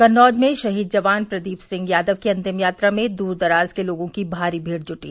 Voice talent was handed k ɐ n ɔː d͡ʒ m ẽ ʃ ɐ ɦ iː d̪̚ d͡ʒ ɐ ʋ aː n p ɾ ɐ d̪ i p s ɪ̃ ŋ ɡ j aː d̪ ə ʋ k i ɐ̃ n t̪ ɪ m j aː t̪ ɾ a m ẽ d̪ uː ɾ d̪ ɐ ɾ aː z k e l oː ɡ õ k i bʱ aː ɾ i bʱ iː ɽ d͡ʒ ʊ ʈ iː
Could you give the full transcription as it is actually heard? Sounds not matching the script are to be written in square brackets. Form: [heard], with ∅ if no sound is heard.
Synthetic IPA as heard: k ɐ n ɔː d͡ʒ m ẽ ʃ ɐ ɦ iː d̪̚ d͡ʒ ɐ ʋ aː n p ɾ ɐ d̪ [iː] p s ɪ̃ ŋ ɡ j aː d̪ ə ʋ k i ɐ̃ n t̪ ɪ m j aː t̪ ɾ a m ẽ d̪ uː ɾ d̪ ɐ ɾ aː z k e l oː ɡ õ k i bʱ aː ɾ i bʱ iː ɽ d͡ʒ ʊ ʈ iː